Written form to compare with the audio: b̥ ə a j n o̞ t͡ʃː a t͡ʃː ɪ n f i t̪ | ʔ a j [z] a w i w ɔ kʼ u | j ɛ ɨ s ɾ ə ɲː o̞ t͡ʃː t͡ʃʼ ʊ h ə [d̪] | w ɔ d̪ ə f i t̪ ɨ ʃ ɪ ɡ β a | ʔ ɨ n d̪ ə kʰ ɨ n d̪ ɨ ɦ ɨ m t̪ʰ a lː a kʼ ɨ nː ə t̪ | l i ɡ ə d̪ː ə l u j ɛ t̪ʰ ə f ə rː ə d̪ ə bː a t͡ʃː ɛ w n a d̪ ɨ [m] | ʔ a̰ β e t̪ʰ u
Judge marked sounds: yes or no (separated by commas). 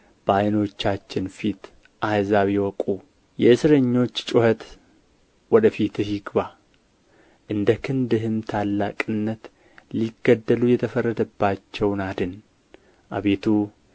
yes, no, no